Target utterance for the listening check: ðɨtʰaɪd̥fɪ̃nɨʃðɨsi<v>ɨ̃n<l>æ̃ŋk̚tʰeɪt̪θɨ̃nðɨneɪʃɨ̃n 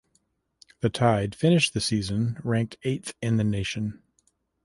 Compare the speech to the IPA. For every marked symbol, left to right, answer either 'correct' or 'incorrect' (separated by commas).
incorrect, incorrect